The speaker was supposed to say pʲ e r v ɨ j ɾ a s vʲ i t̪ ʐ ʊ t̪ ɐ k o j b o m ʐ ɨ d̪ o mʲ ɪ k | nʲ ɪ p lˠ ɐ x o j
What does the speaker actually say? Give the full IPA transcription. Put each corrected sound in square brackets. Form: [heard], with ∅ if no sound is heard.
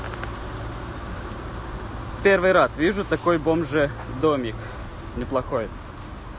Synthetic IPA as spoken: pʲ e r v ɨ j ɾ a s vʲ i [∅] ʐ ʊ t̪ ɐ k o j b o m ʐ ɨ d̪ o mʲ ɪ k | nʲ ɪ p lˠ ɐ x o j